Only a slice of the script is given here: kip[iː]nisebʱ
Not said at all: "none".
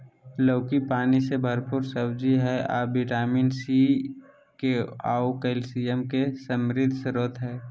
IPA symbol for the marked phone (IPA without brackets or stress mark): aː